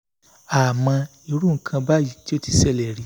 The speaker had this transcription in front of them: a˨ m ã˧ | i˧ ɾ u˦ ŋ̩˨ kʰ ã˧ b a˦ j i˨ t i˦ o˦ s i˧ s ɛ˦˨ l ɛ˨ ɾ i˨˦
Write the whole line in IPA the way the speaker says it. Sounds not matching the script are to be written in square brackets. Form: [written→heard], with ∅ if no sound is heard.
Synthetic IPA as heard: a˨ m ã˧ | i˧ ɾ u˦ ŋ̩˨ kʰ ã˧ b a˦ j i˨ t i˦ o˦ [s→t] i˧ s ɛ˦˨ l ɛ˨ ɾ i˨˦